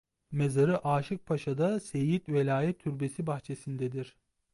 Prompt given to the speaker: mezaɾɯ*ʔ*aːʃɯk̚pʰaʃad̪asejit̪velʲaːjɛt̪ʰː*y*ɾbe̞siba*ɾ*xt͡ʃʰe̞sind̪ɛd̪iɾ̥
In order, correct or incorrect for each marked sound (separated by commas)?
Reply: correct, correct, incorrect